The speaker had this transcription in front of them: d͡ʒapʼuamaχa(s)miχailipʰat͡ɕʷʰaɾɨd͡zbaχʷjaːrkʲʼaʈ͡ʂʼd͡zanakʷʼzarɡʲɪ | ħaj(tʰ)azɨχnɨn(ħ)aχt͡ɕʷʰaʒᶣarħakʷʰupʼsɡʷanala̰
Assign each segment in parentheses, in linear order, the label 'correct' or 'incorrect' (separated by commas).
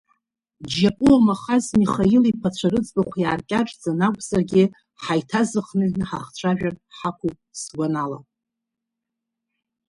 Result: incorrect, correct, correct